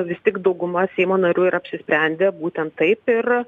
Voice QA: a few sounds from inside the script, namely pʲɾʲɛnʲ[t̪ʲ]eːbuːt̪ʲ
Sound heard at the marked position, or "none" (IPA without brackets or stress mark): d̪ʲ